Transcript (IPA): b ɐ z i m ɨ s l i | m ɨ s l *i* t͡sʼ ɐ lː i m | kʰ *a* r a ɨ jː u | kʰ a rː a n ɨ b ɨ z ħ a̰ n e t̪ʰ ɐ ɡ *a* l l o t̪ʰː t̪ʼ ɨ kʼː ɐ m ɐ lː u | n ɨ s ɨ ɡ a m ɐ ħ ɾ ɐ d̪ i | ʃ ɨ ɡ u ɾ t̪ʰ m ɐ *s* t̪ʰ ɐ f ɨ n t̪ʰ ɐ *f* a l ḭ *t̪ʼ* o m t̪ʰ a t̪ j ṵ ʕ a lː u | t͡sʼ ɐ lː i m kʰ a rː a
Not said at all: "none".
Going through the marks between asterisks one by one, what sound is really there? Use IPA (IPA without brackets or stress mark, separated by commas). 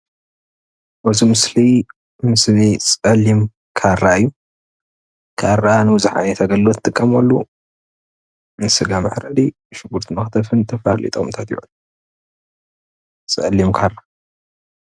i, a, ɐ, x, f, t̪ʼ